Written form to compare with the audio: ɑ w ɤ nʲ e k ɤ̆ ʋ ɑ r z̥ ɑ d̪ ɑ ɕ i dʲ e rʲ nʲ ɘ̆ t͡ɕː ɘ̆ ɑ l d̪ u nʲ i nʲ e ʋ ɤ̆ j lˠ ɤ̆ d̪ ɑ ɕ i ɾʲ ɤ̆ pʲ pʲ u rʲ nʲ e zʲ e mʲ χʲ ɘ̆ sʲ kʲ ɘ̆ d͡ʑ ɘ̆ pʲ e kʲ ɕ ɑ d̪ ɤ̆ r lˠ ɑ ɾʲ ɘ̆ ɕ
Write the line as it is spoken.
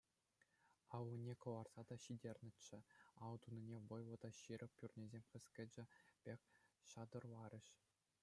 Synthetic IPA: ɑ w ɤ nʲ e k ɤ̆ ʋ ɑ r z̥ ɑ d̪ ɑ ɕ i dʲ e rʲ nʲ ɘ̆ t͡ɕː ɘ̆ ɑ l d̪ u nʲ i nʲ e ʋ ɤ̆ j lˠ ɤ̆ d̪ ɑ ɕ i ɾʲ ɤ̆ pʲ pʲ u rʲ nʲ e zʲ e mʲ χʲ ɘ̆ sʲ kʲ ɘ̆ d͡ʑ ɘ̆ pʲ e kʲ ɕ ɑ d̪ ɤ̆ r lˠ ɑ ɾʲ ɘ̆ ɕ